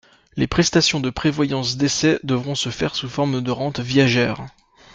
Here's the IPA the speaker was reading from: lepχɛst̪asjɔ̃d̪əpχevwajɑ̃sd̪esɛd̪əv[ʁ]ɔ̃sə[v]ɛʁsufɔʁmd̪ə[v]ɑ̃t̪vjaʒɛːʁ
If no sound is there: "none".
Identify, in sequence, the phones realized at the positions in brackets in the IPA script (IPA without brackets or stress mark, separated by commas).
ʁ, f, ʁ